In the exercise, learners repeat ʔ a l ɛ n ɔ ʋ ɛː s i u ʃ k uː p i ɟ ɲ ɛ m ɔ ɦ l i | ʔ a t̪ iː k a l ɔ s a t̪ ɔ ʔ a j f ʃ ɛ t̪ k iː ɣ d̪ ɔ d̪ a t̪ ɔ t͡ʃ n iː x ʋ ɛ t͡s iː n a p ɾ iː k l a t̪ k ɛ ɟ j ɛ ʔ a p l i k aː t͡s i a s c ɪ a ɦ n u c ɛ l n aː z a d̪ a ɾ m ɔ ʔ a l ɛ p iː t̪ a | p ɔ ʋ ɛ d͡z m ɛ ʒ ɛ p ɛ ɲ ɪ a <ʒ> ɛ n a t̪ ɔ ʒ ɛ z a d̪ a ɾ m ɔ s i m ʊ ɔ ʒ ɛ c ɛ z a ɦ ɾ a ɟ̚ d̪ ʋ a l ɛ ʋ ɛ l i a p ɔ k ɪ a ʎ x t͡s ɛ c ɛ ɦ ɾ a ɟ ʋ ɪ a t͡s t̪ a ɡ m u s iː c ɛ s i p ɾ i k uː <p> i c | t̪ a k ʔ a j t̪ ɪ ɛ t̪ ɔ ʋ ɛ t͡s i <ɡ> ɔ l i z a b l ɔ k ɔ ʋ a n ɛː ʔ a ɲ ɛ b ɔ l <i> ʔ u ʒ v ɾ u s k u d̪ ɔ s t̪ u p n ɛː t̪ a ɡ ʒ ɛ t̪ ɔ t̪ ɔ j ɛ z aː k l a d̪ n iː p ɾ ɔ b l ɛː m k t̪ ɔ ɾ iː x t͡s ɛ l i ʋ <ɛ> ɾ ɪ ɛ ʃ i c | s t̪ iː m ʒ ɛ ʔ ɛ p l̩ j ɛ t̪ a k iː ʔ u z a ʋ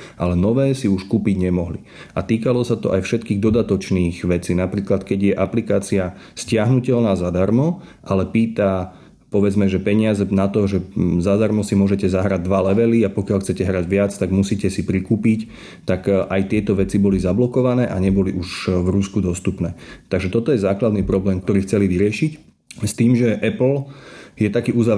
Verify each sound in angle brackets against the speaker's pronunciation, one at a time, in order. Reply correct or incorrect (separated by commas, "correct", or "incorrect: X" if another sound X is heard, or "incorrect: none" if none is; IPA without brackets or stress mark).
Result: incorrect: z, correct, incorrect: b, correct, incorrect: i